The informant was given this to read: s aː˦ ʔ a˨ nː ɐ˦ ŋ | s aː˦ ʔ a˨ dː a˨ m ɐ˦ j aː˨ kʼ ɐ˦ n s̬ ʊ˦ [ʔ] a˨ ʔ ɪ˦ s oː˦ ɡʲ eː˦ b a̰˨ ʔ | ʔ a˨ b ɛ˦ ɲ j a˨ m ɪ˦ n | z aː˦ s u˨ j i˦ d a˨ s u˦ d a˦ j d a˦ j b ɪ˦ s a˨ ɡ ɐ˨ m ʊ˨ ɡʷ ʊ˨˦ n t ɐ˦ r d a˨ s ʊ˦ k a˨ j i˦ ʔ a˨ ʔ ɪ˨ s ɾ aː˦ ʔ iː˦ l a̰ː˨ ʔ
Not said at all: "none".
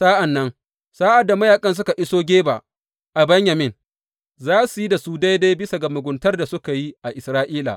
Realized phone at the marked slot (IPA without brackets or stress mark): k